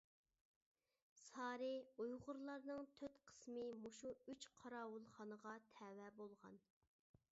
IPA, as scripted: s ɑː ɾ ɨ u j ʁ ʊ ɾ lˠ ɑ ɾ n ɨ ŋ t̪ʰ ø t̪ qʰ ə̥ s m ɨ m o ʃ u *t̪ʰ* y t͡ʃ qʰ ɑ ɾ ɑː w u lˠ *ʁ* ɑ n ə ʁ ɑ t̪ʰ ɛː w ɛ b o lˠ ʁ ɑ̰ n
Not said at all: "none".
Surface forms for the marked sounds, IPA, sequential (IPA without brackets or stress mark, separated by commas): none, χ